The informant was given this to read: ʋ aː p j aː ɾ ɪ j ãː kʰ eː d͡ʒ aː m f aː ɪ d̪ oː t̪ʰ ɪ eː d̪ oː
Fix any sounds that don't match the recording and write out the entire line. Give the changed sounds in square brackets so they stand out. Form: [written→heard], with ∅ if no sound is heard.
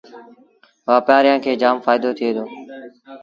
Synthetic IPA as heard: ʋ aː p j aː ɾ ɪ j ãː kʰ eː d͡ʒ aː m f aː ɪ d̪ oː t̪ʰ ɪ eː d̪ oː

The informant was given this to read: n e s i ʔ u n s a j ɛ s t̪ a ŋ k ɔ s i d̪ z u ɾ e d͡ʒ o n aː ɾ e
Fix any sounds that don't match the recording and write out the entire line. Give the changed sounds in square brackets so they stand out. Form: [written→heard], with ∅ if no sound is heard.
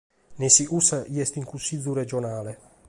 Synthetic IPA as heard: n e s i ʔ u [n→∅] s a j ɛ s t̪ [a→i] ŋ k [ɔ→u] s i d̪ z u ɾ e d͡ʒ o n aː [ɾ→l] e

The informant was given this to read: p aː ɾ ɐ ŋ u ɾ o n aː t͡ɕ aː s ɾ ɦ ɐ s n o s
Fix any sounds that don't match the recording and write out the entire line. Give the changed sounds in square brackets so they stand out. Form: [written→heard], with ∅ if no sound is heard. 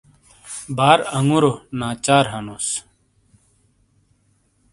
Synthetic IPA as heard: [p→b] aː ɾ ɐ ŋ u ɾ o n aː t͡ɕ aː [s→∅] ɾ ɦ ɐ [s→∅] n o s

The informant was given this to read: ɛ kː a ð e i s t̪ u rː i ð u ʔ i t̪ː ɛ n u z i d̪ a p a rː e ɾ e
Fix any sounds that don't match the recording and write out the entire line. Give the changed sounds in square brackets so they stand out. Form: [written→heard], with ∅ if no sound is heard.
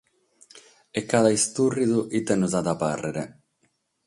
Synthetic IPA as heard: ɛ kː a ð [e→a] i s t̪ u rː i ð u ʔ i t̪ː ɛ n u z [i→a] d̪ a p a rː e ɾ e

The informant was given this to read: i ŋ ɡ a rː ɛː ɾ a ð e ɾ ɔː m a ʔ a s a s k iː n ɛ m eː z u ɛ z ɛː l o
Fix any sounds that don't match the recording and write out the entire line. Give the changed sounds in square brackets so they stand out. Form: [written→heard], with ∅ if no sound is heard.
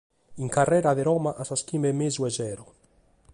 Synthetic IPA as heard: i ŋ [ɡ→k] a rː ɛː ɾ a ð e ɾ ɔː m a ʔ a s a s k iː [n→m] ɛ m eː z u ɛ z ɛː [l→ɾ] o

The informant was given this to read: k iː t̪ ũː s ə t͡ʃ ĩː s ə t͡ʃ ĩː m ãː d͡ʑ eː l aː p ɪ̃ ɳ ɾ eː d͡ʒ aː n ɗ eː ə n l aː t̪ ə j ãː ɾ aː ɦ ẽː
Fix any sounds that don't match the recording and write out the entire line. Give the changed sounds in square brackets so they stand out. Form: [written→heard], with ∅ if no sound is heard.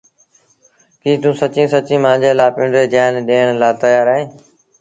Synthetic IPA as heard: k iː t̪ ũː s ə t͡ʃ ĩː s ə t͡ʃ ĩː m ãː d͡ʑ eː l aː p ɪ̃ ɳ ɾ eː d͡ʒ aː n ɗ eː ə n l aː t̪ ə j [ãː→aː] ɾ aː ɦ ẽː

